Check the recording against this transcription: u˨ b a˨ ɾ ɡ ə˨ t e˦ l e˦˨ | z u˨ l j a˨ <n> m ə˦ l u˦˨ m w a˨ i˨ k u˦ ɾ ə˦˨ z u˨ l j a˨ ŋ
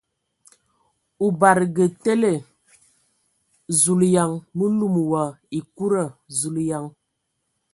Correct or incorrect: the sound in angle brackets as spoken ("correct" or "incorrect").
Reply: incorrect